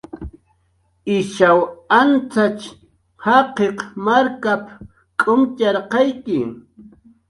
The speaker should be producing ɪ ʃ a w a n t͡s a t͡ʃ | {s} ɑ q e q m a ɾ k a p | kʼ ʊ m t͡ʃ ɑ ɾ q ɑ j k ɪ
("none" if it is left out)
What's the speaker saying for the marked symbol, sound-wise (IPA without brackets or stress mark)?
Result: h